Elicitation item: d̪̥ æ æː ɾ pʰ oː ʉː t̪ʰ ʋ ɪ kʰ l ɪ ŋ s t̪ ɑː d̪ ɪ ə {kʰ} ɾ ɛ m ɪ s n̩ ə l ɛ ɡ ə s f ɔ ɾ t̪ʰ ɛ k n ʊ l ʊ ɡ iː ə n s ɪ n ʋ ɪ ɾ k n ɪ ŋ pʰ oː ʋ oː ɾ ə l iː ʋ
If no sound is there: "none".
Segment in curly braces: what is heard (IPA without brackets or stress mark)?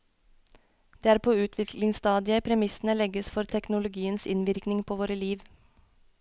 pʰ